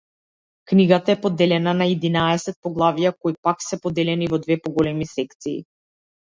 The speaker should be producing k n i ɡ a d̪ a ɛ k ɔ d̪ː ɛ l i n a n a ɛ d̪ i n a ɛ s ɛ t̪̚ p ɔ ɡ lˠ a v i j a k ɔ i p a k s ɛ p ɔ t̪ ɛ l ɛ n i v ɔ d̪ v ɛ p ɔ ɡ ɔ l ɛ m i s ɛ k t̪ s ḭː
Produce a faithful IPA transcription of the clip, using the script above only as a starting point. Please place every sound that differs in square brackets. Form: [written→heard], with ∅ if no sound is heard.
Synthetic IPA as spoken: k n i ɡ a [d̪→t̪] a ɛ [k→p] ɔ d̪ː ɛ l [i→ɛ] n a n a ɛ d̪ i n a ɛ s ɛ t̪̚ p ɔ ɡ lˠ a v i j a k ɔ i p a k s ɛ p ɔ [t̪→d̪] ɛ l ɛ n i v ɔ d̪ v ɛ p ɔ ɡ ɔ l ɛ m i s ɛ k t̪ s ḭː